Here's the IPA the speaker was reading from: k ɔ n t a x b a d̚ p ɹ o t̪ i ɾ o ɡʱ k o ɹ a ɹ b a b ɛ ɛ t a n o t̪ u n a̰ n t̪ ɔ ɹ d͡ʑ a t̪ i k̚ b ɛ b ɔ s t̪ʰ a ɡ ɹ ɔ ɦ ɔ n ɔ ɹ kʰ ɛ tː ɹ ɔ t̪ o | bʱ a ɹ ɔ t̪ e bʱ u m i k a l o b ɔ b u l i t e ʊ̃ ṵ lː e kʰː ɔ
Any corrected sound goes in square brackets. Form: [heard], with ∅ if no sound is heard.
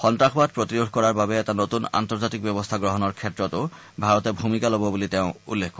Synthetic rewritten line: [x] ɔ n t a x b a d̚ p ɹ o t̪ i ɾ o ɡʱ k [ɔ] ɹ a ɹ b a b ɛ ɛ t a n o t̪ u n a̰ n t̪ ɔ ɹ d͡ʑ a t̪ i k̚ b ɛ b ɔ s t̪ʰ a ɡ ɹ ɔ ɦ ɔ n ɔ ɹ kʰ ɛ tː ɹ ɔ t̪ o | bʱ a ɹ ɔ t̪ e bʱ u m i k a l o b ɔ b u l i t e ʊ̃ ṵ lː e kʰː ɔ